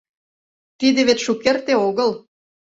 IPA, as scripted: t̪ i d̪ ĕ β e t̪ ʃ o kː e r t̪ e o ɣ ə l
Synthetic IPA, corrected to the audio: t̪ i d̪ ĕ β e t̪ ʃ u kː e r t̪ e o ɣ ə l